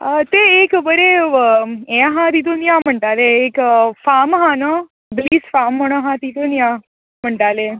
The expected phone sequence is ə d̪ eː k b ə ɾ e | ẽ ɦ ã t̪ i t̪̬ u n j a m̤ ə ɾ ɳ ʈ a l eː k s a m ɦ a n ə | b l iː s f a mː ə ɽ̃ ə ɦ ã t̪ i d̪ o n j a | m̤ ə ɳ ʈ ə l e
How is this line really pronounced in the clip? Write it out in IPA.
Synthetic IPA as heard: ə t̪ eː k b ə ɾ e | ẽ ɦ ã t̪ i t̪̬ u n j a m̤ ə ɳ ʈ a l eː k f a m ɦ a n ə | b l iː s f a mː ə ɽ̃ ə ɦ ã t̪ i t̪ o n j a | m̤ ə ɳ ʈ a l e